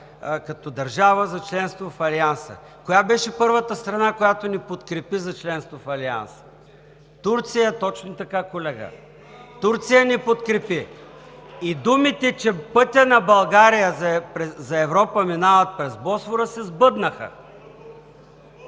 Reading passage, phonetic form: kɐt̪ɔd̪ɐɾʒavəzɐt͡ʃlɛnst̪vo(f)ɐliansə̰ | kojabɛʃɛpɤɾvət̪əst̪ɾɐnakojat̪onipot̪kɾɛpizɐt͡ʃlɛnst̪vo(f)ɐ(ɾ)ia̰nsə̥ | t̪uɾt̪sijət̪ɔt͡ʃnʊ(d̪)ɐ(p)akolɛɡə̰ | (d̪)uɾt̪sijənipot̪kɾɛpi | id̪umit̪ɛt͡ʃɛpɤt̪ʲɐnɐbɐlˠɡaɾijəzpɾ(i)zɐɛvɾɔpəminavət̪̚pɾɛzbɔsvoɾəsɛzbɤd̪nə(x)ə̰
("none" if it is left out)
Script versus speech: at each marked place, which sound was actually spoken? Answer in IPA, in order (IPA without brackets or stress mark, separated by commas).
f, f, l, t̪, k, t̪, ɛ, x